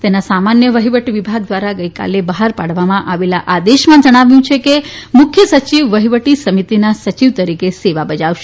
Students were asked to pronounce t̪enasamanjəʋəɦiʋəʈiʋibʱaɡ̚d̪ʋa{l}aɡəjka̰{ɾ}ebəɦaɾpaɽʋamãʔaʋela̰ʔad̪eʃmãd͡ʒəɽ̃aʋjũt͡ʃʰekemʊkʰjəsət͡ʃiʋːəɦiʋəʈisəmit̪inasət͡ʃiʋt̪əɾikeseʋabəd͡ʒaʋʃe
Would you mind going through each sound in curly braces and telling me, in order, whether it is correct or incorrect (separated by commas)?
incorrect, incorrect